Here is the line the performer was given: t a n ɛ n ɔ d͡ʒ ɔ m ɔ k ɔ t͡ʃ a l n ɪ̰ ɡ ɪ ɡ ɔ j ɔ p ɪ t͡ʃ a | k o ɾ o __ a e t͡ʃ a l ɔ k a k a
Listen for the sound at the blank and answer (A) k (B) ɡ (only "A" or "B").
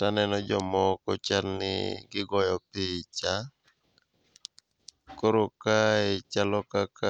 A